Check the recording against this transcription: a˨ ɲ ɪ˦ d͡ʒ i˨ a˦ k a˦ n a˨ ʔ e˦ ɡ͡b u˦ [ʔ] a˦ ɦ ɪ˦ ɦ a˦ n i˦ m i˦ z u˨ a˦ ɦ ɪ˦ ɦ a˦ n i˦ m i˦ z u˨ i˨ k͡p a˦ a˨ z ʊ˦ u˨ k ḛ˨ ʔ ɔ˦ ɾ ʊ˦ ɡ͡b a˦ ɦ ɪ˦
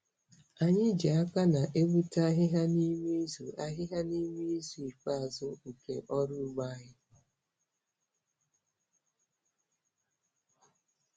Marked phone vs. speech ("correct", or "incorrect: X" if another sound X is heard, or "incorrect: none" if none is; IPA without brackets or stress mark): incorrect: t